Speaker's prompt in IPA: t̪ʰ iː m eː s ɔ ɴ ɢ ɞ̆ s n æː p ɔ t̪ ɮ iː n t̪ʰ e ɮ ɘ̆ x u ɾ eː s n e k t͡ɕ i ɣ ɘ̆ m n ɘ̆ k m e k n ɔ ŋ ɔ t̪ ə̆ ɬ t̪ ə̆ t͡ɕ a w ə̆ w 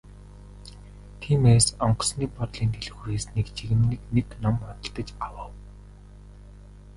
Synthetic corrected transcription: t̪ʰ iː m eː s ɔ ɴ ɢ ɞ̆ s n iː p ɔ t̪ ɮ iː n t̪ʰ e ɮ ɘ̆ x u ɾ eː s n e k t͡ɕ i ɣ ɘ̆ m n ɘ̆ k n e k n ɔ m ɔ t̪ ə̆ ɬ t̪ ə̆ t͡ɕ a w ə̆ w